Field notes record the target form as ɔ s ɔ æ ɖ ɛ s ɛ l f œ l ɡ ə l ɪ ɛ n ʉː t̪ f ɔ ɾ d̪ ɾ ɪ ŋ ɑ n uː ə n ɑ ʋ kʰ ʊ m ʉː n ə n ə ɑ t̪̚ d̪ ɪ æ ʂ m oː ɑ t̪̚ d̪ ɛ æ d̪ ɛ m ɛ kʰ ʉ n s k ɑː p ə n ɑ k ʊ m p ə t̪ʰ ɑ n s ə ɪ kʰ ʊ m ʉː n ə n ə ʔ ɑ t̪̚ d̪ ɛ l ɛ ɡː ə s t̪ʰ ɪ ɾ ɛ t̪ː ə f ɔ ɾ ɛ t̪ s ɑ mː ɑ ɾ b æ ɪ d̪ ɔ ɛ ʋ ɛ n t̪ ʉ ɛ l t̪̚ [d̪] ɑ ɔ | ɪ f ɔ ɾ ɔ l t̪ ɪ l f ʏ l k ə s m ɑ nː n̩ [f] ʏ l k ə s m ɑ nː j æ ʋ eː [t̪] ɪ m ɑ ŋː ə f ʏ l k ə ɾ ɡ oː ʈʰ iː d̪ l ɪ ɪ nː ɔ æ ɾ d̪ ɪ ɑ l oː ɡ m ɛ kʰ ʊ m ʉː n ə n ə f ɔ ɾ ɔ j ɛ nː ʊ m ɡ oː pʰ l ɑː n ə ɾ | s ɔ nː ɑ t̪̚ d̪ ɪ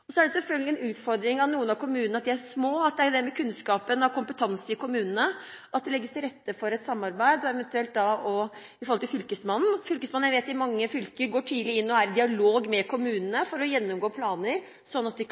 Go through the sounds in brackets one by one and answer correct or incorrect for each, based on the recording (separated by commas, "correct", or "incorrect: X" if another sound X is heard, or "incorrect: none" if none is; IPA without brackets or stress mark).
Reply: correct, correct, correct